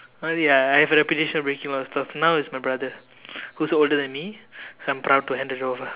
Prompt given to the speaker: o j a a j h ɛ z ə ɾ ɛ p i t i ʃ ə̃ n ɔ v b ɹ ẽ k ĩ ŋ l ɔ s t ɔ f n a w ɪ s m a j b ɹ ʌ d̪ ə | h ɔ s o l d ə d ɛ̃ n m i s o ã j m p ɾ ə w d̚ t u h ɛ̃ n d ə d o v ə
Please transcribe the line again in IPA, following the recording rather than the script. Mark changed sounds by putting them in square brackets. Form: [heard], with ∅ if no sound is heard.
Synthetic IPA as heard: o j a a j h ɛ [v] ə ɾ ɛ p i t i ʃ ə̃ n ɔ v b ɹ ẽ k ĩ ŋ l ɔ s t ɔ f n a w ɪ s m a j b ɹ [a] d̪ ə | h [u] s o l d ə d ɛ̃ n m i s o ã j m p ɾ [a] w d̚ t u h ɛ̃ n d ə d o v ə